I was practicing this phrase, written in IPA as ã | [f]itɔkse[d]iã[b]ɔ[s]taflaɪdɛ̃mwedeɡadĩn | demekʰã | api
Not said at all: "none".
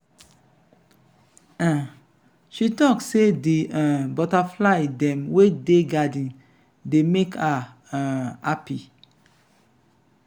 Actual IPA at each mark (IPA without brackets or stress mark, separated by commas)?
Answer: ʃ, d, b, none